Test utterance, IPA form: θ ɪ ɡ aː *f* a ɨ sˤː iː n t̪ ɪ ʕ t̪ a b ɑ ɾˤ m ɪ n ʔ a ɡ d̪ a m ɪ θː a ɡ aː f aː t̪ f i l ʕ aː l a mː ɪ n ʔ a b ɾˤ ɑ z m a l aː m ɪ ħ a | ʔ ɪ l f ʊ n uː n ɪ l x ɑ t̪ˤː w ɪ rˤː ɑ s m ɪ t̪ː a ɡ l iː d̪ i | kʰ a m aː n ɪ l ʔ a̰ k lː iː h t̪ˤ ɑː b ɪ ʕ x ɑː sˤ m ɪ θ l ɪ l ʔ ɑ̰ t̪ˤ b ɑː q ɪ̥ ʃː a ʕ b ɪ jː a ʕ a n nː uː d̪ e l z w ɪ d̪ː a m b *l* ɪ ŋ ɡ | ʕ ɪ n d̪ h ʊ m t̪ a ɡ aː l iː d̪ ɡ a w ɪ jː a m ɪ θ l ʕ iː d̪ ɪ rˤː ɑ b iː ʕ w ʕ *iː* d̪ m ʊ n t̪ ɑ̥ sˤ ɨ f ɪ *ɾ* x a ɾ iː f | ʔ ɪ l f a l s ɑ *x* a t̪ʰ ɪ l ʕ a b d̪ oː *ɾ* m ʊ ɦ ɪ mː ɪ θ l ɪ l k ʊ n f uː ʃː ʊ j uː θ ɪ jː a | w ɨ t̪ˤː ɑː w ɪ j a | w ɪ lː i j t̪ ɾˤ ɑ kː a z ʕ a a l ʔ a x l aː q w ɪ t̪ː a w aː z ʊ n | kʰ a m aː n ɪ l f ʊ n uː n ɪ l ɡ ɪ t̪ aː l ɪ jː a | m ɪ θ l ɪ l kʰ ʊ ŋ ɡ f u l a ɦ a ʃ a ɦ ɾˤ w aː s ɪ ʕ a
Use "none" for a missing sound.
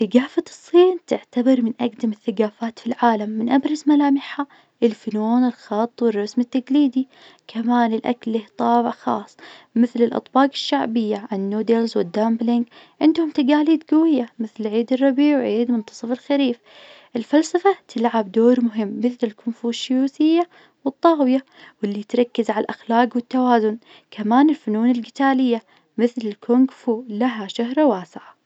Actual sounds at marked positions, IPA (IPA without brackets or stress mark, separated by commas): f, l, iː, l, f, ɾ